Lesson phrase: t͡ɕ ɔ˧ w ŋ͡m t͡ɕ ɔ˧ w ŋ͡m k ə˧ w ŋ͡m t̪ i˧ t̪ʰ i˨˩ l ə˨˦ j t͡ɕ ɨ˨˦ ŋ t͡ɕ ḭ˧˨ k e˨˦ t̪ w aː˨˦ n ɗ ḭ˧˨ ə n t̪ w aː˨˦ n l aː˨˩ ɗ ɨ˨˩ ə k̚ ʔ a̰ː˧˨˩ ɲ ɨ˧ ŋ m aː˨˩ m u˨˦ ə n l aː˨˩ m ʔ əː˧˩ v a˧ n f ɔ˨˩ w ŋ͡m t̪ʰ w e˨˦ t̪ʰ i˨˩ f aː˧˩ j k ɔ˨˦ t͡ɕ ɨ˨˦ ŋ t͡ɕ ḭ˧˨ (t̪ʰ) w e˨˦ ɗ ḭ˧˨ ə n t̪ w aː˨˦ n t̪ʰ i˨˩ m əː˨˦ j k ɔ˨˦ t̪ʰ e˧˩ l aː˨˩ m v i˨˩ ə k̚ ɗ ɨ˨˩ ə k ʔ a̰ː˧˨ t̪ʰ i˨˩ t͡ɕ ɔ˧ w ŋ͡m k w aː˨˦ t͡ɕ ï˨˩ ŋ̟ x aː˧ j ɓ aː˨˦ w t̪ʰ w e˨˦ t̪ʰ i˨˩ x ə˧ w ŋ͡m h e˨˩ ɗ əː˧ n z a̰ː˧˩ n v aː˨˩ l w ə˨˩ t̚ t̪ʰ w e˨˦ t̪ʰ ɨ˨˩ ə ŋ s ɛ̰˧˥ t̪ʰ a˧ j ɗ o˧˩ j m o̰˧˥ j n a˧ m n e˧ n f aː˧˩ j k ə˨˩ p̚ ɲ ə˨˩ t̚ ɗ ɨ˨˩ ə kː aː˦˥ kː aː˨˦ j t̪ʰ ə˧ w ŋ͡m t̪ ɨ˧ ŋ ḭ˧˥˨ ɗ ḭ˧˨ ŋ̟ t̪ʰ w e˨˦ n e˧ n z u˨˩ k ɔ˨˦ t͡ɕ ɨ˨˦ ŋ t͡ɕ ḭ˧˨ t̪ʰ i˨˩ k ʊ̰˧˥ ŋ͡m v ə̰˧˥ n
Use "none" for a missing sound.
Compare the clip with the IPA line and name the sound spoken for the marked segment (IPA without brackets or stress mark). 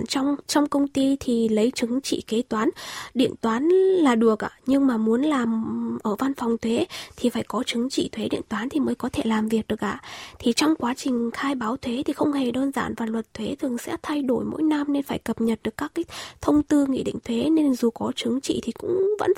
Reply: t̪ʰ